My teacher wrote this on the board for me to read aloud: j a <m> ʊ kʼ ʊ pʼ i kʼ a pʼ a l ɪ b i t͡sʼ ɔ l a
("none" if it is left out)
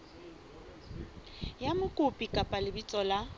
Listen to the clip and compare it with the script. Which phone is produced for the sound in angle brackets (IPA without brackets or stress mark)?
m